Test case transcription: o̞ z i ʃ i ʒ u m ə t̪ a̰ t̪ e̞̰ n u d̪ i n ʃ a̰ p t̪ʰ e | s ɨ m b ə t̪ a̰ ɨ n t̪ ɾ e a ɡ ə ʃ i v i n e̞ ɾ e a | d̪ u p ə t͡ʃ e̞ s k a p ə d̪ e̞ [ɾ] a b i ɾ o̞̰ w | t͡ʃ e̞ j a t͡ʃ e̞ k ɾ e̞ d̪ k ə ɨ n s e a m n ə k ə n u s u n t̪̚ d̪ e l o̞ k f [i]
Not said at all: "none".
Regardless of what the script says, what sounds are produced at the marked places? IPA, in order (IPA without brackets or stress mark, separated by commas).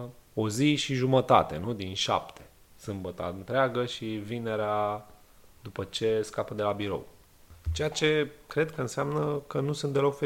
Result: l, e